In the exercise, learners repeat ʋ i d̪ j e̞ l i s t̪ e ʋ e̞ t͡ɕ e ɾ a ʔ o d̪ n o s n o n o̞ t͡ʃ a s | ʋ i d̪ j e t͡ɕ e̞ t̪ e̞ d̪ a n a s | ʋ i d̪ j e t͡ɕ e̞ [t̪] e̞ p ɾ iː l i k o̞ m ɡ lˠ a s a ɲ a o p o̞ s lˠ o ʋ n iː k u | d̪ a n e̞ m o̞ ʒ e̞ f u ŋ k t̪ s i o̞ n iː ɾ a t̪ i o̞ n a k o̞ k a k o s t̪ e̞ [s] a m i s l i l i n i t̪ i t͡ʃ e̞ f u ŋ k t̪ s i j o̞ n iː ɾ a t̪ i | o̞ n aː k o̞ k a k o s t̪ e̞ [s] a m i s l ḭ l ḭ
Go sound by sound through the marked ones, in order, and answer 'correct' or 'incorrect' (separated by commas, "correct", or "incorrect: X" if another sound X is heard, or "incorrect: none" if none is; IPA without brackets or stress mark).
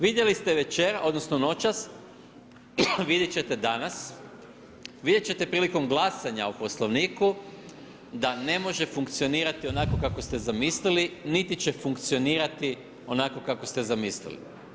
correct, incorrect: z, incorrect: z